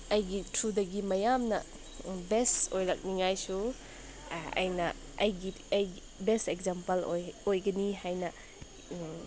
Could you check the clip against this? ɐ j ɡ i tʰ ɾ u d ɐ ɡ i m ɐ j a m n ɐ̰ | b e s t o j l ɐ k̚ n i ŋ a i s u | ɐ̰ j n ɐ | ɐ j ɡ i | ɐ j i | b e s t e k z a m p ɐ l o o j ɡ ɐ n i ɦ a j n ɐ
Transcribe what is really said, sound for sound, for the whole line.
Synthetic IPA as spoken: ɐ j ɡ i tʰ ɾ u d ɐ ɡ i m ɐ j a m n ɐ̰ | b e s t o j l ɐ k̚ n i ŋ a j s u | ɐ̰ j n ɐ | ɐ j ɡ i | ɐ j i | b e s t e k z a m p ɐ l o o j ɡ ɐ n i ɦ a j n ɐ